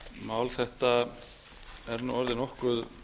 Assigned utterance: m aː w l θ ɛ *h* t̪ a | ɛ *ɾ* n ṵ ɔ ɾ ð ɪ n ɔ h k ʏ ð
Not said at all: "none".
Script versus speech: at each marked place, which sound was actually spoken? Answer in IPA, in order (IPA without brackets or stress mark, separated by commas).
h, ɾ